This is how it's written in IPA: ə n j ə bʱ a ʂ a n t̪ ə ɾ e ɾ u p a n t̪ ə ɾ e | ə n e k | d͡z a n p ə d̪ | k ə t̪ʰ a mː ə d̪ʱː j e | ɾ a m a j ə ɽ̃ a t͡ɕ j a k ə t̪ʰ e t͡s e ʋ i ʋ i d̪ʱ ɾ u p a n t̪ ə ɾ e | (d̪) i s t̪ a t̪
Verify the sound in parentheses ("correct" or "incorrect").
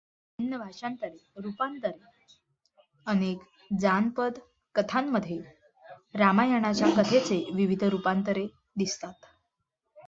correct